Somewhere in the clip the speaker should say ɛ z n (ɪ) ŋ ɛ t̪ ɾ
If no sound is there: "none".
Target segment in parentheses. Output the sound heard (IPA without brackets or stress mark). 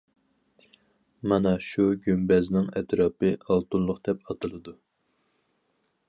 ɪ